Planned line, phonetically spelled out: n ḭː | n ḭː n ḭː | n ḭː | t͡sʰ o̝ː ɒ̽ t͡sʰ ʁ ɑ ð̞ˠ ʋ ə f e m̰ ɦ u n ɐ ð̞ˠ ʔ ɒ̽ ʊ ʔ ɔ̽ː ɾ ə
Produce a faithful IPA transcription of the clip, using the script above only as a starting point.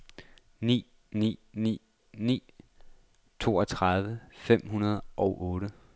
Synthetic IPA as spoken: n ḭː | n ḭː n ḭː | n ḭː | t͡sʰ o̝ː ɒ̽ t͡sʰ ʁ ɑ ð̞ˠ ʋ ə f e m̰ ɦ u n ɐ ð̞ˠ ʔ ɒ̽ ʊ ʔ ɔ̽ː ɾ ə